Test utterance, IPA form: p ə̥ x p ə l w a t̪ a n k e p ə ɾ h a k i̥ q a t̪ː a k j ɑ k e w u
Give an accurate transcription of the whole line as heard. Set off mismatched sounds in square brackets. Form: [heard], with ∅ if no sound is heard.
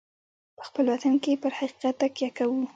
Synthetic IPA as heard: p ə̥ x p ə l w a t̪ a n k e p ə ɾ h a [q] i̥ q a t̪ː a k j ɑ k [a] w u

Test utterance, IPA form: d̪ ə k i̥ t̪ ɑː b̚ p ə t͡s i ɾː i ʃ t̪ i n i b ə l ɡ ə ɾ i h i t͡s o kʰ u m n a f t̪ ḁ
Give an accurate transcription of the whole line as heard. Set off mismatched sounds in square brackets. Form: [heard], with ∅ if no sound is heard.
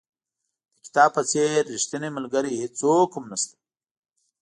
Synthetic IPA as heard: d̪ ə k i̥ t̪ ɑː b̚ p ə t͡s [e] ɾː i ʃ t̪ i n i [m] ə l ɡ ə ɾ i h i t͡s o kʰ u m n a [s] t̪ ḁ

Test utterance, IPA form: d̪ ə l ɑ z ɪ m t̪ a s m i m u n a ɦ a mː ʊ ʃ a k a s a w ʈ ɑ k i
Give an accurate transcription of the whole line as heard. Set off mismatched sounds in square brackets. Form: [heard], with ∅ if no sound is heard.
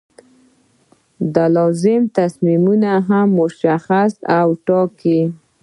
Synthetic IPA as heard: d̪ ə l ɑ z ɪ m t̪ a s m i m u n a ɦ a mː ʊ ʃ a [x] a s a w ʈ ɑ k i

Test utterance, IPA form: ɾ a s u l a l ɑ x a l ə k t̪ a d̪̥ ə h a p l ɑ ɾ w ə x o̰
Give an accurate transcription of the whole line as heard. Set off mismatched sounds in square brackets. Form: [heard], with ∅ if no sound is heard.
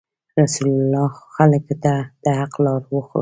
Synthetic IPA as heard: ɾ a s u l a l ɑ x a l ə k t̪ a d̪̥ ə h a [q] l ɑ ɾ w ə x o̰

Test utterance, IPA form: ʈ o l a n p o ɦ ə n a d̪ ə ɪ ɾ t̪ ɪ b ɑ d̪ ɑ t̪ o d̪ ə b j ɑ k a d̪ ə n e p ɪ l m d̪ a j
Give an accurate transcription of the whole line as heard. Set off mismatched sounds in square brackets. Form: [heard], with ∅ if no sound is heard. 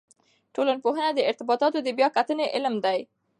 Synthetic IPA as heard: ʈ o l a n p o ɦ ə n a d̪ ə ɪ ɾ t̪ ɪ b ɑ [t̪] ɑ t̪ o d̪ ə b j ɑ k a [t̪] ə n e [ʔ] ɪ l m d̪ a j

